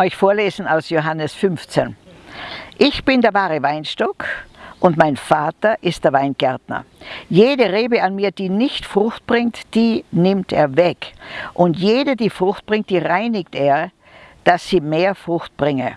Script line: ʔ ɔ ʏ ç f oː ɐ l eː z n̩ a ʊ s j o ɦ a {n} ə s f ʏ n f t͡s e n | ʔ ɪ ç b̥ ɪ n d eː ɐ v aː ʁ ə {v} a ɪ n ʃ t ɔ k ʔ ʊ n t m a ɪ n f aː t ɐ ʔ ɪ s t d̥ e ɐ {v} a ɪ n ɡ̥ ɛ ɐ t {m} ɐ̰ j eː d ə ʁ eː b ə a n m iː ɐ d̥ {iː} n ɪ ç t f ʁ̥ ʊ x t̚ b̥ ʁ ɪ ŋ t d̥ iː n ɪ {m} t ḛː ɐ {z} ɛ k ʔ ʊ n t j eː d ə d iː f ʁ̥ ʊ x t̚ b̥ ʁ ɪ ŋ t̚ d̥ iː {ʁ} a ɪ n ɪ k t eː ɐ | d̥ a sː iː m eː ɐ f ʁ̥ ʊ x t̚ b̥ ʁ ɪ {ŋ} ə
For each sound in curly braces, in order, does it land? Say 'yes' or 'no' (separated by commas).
yes, yes, yes, no, yes, yes, no, yes, yes